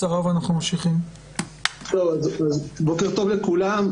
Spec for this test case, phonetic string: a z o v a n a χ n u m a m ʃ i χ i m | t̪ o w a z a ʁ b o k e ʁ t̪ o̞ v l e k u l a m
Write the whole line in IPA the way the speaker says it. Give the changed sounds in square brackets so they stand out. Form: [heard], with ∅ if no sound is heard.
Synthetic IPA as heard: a [ʁ] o v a n a χ n u m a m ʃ i χ i m | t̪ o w a z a [z] b o k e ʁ t̪ o̞ v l e k u l a m